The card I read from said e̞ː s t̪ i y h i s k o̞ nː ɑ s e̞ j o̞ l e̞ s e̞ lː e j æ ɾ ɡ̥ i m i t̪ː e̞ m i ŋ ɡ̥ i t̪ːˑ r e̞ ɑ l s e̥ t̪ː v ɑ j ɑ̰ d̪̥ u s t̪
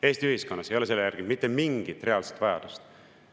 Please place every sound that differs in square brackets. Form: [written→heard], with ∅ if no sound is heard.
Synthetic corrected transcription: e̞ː s t̪ i y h i s k o̞ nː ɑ s e̞ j o̞ l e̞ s e̞ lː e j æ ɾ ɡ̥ i m i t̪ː e̞ m i ŋ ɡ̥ i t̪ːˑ r e̞ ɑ l s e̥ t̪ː v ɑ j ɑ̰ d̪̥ u s t̪